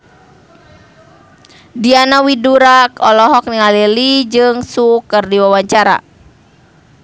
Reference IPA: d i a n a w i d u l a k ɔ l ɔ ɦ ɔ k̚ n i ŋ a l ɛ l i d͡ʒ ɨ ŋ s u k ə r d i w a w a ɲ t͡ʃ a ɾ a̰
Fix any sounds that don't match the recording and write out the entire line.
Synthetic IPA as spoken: d i a n a w i d u ɾ a k ɔ l ɔ ɦ ɔ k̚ n i ŋ a l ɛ l i d͡ʒ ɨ ŋ s u k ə r d i w a w a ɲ t͡ʃ a ɾ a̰

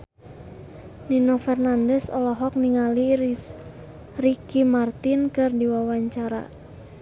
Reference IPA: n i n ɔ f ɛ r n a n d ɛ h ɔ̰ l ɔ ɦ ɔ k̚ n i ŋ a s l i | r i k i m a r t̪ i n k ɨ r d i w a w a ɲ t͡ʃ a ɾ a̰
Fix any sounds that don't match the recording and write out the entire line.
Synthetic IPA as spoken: n i n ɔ f ɛ r n a n d ɛ s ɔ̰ l ɔ ɦ ɔ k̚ n i ŋ a l i | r i k i m a r t̪ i n k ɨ r d i w a w a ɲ t͡ʃ a ɾ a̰

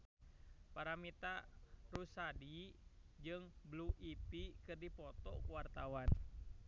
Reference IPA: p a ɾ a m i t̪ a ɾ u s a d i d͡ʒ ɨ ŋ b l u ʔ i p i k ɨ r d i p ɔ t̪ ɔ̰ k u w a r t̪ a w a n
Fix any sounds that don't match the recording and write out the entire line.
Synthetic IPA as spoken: p a ɾ a m i t̪ a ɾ u s a d i d͡ʒ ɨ ŋ b l u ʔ i p i k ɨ r d i p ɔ t̪ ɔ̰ k u w a r t̪ a w a n

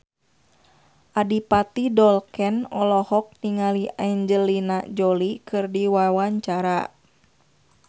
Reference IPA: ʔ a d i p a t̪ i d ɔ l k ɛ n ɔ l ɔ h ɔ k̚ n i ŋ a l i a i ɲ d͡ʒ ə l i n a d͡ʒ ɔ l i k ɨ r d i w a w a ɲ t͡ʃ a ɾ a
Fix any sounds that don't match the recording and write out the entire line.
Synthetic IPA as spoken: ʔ a d i p a t̪ i d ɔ l k ɛ n ɔ l ɔ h ɔ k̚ n i ŋ a l i a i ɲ d͡ʒ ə l i n a d͡ʒ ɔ l i k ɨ r d i w a w a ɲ t͡ʃ a ɾ a

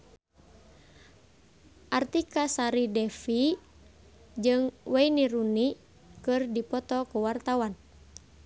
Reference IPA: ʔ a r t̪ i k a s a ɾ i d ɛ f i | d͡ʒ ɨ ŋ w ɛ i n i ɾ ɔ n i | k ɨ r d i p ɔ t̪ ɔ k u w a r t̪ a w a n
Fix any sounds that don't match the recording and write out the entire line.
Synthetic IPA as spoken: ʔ a r t̪ i k a s a ɾ i d ɛ f i | d͡ʒ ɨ ŋ w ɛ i n i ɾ u n i | k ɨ r d i p ɔ t̪ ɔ k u w a r t̪ a w a n

